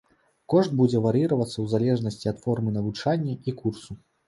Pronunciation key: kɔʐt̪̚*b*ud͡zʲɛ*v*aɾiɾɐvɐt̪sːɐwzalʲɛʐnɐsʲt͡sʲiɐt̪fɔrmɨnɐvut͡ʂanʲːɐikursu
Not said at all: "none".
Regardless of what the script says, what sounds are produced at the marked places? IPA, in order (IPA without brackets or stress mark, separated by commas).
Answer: b, v